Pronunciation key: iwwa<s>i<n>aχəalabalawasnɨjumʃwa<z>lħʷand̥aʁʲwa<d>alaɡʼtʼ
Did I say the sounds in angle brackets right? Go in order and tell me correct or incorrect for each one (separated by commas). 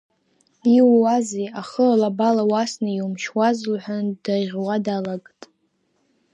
incorrect, incorrect, correct, correct